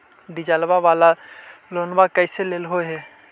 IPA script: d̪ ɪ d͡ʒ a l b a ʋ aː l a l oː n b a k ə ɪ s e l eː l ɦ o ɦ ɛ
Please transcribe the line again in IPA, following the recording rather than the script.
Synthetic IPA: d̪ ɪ d͡ʒ a l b a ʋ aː l a l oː n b a k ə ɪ s e l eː l ɦ o ɦ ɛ

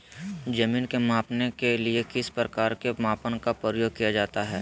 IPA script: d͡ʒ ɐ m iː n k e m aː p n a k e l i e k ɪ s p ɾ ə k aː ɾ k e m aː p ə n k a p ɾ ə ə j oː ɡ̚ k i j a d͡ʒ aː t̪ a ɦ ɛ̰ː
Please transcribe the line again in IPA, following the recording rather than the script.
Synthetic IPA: d͡ʒ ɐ m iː n k e m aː p n e k e l i e k ɪ s p ɾ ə k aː ɾ k e m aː p ə n k a p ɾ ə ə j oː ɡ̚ k i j a d͡ʒ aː t̪ a ɦ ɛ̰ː

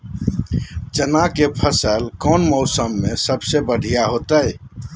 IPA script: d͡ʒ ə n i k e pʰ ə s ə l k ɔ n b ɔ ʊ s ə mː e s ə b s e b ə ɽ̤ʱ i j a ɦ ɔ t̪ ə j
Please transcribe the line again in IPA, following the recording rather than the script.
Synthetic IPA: d͡ʒ ə n a k e pʰ ə s ə l k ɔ n m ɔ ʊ s ə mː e s ə b s e b ə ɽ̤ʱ i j a ɦ o t̪ ə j

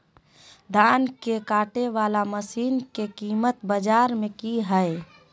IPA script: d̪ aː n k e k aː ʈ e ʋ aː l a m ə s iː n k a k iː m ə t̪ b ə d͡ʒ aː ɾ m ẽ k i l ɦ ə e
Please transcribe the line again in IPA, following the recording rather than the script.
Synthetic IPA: d̪ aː n k e k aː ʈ e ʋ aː l a m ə s iː n k e k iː m ə t̪ b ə d͡ʒ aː ɾ m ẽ k i ɦ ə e

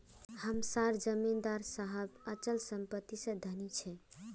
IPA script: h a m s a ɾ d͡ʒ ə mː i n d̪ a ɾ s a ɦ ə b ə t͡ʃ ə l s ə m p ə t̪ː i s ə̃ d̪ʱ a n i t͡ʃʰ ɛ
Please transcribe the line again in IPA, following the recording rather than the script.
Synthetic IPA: h ə m s a ɾ d͡ʒ ə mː i n d̪ a ɾ s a ɦ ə b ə t͡ʃ ə l s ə m p ə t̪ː i s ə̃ d̪ʱ ə n i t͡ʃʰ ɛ

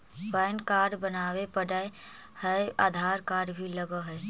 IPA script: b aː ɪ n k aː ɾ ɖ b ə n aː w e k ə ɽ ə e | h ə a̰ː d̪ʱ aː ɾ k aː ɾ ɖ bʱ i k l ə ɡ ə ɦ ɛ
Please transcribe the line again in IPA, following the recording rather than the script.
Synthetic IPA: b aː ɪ n k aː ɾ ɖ b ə n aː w e p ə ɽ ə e | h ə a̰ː d̪ʱ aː ɾ k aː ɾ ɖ bʱ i l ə ɡ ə ɦ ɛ

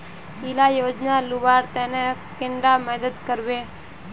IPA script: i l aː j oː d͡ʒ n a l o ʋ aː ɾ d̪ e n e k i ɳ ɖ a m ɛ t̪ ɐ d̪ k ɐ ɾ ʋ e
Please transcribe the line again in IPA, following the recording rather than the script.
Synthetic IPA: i l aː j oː d͡ʒ n a l u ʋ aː ɾ t̪ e n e k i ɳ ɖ a m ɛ d̪ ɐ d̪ k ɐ ɾ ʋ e

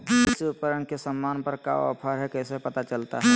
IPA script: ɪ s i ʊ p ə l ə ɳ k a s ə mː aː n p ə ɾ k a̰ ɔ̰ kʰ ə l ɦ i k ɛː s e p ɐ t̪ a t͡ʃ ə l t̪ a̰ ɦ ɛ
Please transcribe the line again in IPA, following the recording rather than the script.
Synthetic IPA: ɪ s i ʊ p ə ɾ ə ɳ k e s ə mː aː n p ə ɾ k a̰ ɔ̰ pʰ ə ɾ ɦ ɛ k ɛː s e p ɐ t̪ a t͡ʃ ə l t̪ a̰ ɦ ɛ

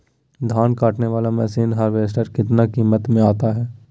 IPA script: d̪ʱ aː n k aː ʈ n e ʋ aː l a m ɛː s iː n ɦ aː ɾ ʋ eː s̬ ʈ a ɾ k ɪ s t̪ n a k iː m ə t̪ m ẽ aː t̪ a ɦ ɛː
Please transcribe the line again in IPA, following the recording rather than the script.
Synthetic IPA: d̪ʱ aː n k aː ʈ n e ʋ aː l a m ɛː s iː n ɦ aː ɾ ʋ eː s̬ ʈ ə ɾ k ɪ t̪ n a k iː m ə t̪ m ẽ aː t̪ a ɦ ɛː

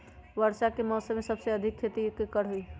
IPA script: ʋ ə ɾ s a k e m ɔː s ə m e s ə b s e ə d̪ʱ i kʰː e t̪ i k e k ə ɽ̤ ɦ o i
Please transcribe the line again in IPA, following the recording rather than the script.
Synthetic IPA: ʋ ə ɾ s a k e m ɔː s ə m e s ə b s e ə d̪ʱ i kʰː e t̪ i k e k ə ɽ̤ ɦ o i

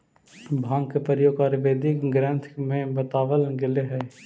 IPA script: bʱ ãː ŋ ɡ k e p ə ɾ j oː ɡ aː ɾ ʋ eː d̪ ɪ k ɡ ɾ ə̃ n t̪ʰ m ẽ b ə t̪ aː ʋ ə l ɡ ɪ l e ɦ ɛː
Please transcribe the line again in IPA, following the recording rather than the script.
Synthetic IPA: bʱ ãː ŋ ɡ k e p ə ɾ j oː ɡ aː ɾ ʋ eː d̪ ɪ k ɡ ɾ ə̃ n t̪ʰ m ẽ b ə t̪ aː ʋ ə l ɡ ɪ l e ɦ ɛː

